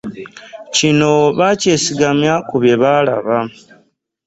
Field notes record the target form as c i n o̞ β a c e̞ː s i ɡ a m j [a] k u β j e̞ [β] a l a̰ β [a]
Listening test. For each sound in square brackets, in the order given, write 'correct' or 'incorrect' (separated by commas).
correct, correct, correct